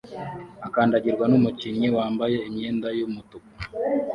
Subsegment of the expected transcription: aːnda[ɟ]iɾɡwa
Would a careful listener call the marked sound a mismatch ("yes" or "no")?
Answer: no